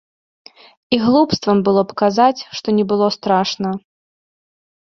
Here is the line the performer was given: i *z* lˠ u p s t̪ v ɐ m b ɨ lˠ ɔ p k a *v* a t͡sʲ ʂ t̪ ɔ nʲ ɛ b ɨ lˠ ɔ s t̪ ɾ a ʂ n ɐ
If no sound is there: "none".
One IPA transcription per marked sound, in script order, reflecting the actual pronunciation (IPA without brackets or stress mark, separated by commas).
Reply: ɣ, z